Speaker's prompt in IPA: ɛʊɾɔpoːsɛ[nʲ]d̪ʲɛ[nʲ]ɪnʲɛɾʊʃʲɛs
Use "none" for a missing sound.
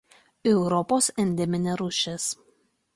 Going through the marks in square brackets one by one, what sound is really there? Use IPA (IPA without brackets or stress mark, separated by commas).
nʲ, mʲ